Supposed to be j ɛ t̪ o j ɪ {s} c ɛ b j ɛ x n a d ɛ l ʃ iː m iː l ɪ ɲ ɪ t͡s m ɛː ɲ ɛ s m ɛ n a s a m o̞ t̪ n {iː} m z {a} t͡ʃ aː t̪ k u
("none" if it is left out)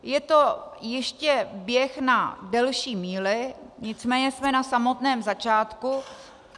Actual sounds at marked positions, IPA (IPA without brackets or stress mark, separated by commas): ʃ, ɛː, a